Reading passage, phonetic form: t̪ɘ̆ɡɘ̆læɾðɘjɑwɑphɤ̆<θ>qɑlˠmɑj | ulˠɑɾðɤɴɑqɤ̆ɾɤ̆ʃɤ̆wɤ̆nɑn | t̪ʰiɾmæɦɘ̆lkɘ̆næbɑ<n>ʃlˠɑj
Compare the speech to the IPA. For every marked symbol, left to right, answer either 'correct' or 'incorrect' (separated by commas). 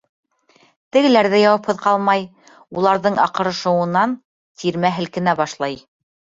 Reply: incorrect, incorrect